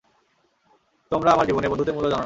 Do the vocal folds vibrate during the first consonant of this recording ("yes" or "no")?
no